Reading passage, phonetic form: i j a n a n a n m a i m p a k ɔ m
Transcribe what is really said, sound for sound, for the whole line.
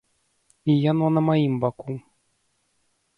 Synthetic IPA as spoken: i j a n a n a m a i m b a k u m